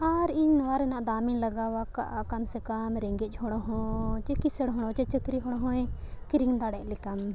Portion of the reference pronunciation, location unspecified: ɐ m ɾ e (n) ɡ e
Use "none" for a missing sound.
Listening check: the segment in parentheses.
ŋ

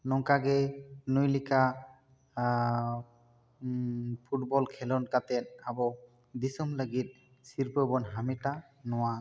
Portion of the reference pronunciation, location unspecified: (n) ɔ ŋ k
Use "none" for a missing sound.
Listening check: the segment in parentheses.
n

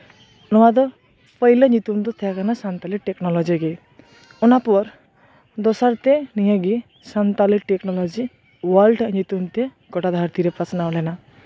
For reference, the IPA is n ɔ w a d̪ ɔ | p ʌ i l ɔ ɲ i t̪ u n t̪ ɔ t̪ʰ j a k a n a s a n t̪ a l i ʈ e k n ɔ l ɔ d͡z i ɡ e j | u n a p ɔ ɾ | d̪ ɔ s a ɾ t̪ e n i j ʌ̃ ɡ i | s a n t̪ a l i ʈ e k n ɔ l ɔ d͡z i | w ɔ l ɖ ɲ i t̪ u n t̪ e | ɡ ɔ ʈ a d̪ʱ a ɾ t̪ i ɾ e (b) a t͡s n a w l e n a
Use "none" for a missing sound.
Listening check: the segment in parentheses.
p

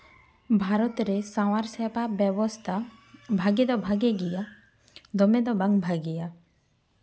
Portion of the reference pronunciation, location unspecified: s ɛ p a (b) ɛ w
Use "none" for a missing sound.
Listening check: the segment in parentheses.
b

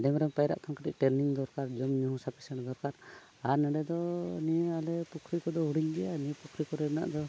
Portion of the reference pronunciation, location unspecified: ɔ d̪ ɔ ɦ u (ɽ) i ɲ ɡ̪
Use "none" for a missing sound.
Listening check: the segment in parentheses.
ɽ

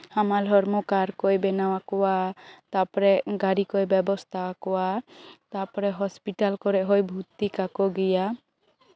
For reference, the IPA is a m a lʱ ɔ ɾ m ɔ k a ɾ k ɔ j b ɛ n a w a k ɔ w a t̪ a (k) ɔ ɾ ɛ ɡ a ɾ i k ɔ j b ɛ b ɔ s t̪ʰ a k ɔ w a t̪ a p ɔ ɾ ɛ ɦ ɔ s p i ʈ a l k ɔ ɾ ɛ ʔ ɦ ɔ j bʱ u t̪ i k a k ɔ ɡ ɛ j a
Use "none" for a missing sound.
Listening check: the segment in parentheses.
p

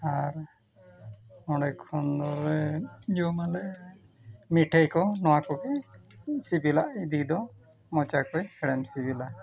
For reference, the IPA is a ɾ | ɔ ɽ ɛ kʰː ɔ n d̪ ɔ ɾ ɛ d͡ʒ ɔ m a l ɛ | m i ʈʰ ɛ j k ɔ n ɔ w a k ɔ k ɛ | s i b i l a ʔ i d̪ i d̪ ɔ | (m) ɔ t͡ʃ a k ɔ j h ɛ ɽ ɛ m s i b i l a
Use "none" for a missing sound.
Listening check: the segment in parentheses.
m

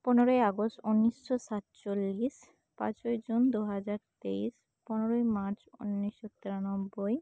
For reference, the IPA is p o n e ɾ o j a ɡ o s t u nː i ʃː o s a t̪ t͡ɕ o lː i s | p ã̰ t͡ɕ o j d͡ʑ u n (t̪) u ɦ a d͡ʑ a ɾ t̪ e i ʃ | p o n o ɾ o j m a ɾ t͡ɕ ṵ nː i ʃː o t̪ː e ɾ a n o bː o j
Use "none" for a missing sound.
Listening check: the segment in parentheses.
d̪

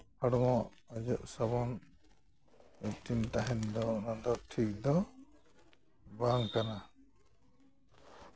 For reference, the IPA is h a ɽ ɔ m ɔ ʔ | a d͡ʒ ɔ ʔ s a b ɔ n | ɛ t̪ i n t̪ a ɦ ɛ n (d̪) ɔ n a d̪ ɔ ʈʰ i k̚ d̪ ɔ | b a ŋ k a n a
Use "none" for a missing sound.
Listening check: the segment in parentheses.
d̪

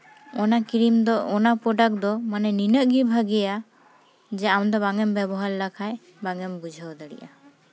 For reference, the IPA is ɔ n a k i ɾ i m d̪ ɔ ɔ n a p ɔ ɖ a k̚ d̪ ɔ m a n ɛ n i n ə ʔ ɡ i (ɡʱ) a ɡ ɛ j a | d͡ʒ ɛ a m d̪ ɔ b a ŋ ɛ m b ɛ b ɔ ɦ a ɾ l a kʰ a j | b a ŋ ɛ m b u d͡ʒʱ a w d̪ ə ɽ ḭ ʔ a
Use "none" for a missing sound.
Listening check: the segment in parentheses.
bʱ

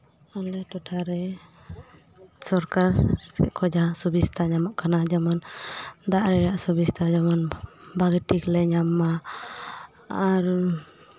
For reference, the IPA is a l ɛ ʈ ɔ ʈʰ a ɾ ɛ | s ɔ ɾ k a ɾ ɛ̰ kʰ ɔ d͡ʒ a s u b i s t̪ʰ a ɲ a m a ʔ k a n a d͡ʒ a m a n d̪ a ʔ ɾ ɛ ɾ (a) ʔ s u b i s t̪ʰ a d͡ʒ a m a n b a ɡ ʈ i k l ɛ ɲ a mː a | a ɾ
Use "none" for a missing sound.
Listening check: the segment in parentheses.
a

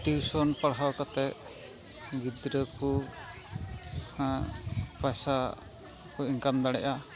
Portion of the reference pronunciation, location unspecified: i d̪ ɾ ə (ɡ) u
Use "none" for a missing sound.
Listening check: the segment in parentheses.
k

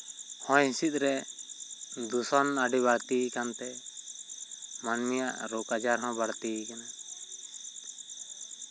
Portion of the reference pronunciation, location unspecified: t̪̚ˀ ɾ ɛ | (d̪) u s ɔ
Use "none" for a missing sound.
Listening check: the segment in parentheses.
d̪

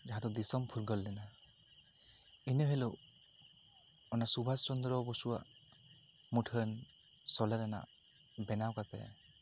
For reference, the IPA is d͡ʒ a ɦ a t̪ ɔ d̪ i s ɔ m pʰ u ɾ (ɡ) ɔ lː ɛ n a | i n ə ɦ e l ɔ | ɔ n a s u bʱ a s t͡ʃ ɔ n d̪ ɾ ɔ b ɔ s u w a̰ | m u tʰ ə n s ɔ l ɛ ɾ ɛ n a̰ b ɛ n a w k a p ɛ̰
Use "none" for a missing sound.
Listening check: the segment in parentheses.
ɡ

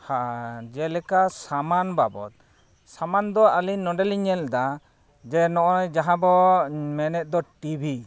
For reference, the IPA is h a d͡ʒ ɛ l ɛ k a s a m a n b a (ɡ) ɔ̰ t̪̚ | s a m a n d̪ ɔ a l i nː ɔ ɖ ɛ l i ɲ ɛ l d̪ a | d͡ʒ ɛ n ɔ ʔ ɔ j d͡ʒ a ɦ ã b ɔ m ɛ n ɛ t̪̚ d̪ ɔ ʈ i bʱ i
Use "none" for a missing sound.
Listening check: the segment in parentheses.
b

